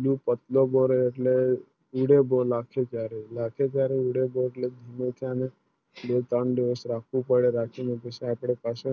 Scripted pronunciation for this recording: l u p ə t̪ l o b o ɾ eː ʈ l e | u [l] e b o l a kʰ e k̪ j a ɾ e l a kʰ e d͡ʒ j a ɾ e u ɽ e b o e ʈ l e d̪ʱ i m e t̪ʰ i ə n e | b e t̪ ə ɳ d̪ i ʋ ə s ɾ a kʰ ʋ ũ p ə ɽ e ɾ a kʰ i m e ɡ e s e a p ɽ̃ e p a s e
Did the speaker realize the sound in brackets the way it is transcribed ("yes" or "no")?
no